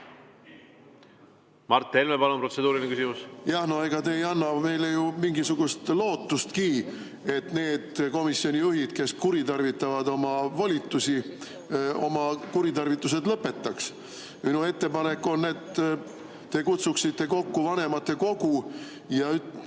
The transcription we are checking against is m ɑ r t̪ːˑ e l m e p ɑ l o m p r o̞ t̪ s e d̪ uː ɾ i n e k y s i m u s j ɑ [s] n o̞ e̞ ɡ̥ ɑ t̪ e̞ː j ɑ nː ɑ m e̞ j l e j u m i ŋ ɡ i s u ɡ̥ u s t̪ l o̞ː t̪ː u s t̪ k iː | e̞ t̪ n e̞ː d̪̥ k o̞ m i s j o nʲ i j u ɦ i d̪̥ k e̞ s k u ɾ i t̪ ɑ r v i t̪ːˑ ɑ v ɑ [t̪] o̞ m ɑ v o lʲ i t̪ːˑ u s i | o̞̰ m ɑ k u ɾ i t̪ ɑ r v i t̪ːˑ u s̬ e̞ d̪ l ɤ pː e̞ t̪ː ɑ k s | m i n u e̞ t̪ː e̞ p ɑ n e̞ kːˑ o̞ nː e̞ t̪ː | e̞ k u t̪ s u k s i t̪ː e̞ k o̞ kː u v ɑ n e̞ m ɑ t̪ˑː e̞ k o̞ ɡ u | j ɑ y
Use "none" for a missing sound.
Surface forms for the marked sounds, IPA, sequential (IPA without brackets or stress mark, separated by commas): h, d̪